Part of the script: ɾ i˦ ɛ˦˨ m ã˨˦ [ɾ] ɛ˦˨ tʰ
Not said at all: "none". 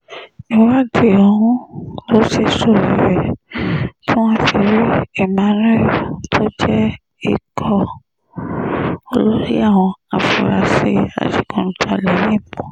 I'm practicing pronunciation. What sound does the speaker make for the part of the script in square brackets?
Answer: ɾ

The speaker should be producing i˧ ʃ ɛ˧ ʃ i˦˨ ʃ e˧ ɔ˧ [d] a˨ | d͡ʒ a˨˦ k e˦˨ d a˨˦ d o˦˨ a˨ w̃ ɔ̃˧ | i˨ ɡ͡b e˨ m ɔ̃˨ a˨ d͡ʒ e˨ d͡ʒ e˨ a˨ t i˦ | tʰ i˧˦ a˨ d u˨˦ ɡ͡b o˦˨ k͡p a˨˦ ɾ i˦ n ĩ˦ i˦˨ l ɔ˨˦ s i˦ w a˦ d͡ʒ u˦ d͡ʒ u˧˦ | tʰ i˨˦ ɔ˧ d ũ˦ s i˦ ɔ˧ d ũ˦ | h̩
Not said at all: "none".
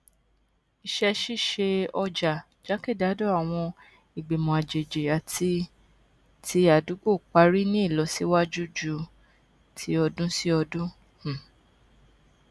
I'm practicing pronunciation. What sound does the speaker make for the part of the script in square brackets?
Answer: d͡ʒ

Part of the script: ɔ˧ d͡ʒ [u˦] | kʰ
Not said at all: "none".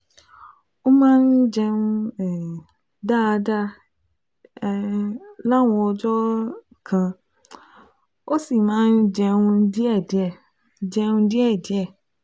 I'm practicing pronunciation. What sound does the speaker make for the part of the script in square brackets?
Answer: ɔ˦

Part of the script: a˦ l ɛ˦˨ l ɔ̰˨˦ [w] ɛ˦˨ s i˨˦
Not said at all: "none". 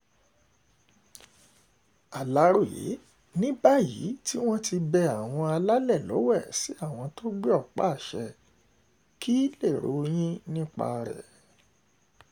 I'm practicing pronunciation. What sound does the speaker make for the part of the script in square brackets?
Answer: w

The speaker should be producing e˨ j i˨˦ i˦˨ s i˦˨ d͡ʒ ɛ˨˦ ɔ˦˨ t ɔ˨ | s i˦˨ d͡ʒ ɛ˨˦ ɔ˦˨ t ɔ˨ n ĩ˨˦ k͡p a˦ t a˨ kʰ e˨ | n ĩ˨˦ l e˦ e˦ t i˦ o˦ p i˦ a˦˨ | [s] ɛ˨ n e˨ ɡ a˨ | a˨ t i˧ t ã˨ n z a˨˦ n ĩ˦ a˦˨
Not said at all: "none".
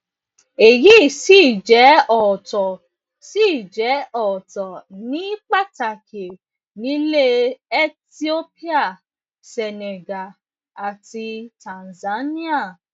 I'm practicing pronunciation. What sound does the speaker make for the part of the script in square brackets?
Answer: s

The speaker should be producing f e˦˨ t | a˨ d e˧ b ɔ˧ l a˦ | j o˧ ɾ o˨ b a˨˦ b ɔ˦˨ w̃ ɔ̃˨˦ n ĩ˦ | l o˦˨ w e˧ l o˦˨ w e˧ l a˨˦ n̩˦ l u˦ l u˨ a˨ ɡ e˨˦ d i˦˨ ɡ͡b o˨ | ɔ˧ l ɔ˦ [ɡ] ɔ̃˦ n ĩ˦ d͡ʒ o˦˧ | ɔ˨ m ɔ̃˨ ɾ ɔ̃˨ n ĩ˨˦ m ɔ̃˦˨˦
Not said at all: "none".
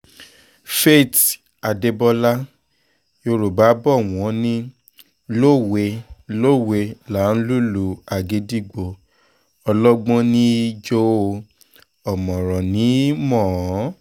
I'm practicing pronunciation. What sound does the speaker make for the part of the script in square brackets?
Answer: ɡ͡b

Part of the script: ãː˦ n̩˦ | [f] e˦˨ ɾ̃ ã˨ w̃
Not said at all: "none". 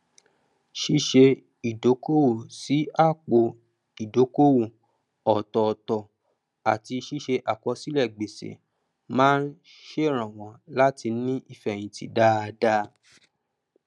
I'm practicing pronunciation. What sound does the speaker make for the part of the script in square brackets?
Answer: ʃ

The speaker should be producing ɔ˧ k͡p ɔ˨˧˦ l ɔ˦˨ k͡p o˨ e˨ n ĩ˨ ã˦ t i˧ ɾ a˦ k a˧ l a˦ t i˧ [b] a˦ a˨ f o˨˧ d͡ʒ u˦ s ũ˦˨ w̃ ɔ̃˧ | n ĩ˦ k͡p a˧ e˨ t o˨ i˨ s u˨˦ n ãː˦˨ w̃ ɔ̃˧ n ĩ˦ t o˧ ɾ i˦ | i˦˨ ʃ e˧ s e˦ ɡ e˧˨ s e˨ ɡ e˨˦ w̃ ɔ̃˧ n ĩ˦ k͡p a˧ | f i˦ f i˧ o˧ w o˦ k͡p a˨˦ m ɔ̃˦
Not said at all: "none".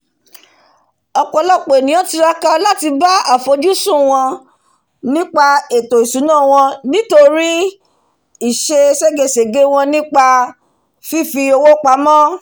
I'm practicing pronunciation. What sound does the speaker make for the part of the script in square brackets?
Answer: b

